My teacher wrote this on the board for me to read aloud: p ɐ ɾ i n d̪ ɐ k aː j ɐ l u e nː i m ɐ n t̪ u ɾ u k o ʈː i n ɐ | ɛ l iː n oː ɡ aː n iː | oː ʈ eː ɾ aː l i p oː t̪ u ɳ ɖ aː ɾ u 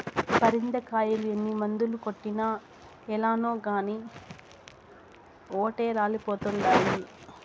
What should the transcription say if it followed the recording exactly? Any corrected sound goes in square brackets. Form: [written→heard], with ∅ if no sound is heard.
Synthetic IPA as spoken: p ɐ ɾ i n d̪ ɐ k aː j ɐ l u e nː i m ɐ n [t̪→d̪] u [ɾ→l] u k o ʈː i n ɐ | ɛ l [iː→aː] n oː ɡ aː n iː | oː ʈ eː ɾ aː l i p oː t̪ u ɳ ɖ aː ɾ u